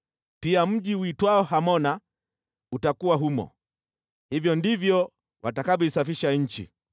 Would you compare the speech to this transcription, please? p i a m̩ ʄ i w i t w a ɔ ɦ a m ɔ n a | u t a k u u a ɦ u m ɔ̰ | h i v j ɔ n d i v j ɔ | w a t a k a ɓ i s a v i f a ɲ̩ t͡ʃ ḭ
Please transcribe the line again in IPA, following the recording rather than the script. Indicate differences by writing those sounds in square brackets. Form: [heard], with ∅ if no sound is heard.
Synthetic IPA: p i a m̩ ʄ i w i t w a ɔ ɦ a m ɔ n a | u t a k u [w] a ɦ u m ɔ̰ | h i v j ɔ n d i v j ɔ | w a t a k a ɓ i s a [f] i [ʃ] a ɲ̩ t͡ʃ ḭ